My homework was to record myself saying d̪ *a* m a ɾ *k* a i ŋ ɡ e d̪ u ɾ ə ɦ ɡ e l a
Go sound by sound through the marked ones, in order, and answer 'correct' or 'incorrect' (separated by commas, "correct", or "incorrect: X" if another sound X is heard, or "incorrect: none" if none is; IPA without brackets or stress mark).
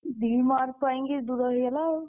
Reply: incorrect: i, incorrect: p